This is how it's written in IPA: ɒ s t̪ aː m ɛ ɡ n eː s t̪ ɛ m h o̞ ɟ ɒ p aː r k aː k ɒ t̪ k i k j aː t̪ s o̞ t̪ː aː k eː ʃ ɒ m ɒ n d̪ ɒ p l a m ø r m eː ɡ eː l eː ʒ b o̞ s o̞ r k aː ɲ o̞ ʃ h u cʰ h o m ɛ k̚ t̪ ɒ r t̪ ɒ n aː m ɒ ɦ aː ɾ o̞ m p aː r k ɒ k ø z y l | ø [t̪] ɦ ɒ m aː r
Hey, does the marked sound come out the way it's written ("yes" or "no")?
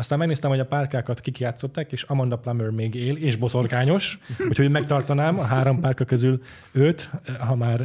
yes